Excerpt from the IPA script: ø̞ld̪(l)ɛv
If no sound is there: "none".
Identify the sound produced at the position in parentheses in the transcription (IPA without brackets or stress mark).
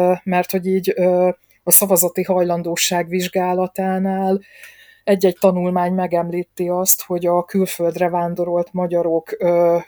r